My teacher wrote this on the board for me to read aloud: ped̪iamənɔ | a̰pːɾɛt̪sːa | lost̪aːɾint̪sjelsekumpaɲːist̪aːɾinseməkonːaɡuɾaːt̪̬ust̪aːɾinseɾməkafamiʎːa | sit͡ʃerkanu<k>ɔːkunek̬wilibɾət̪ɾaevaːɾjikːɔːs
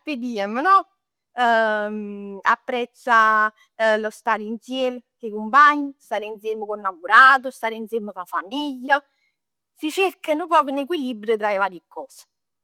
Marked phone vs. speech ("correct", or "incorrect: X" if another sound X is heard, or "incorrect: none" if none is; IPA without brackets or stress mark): incorrect: p